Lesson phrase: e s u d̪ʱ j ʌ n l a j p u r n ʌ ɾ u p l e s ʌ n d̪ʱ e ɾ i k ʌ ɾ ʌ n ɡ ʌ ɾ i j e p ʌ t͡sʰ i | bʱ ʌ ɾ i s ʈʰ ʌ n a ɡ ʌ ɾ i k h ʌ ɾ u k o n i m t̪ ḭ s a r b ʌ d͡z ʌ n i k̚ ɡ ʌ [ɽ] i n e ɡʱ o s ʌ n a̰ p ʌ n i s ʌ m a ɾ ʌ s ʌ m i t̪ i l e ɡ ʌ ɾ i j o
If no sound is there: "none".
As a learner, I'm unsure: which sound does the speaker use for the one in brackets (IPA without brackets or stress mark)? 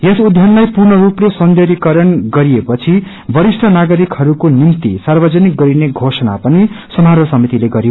ɾ